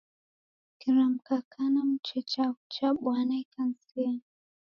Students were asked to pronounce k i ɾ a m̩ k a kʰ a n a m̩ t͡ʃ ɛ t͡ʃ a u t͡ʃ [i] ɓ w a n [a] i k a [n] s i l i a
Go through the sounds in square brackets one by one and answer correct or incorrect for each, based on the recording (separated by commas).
incorrect, correct, correct